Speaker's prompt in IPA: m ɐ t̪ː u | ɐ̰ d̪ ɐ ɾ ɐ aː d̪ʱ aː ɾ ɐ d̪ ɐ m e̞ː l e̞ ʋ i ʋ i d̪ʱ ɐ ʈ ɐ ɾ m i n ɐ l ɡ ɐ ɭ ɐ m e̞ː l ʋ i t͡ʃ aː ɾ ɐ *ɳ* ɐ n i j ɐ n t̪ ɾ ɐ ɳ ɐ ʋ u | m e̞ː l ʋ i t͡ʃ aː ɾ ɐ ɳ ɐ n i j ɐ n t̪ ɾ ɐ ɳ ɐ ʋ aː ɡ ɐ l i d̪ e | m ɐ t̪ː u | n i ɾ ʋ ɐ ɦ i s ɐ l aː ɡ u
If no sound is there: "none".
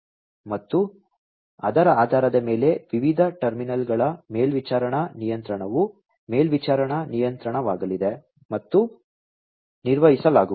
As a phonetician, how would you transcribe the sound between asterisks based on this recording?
ɳ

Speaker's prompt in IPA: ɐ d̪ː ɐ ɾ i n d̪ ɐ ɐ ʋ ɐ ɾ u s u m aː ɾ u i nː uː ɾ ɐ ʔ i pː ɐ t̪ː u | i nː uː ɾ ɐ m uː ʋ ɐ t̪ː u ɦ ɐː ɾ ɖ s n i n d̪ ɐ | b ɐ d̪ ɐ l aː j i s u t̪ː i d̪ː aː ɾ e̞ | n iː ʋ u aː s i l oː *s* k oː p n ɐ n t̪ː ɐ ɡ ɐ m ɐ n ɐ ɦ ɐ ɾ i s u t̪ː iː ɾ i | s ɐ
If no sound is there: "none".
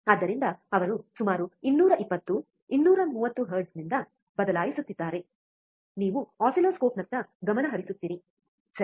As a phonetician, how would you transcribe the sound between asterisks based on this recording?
s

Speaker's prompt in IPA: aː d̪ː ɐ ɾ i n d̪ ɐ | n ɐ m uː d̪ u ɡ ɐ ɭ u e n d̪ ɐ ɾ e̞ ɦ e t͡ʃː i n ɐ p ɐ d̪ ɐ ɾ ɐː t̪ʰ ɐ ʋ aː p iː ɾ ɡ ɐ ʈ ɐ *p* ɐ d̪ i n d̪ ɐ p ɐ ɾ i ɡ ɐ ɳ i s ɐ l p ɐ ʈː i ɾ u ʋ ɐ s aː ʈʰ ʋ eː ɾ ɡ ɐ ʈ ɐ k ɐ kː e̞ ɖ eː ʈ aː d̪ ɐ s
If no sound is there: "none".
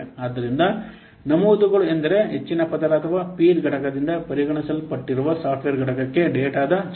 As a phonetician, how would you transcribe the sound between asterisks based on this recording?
k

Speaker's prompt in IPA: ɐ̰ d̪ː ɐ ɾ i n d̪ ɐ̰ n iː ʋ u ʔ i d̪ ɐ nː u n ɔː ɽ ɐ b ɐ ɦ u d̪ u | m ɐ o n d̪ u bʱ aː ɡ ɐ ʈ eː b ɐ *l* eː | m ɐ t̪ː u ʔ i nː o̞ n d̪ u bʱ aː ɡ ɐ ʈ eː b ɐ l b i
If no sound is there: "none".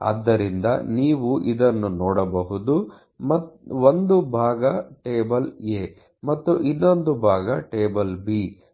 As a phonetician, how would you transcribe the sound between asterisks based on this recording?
l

